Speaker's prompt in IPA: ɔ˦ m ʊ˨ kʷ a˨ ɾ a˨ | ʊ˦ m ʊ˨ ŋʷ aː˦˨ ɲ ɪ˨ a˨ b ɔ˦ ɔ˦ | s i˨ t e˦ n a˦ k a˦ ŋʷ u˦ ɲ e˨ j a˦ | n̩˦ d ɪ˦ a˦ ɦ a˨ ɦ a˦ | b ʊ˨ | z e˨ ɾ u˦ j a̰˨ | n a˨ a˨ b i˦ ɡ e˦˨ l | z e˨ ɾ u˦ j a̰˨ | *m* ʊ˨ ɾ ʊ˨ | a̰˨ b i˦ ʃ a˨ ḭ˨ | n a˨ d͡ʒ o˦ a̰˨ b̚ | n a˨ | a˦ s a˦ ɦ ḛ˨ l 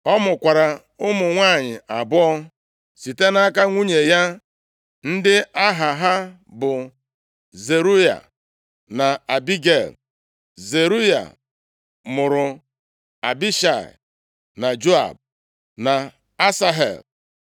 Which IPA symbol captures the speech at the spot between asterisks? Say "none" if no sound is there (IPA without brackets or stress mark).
m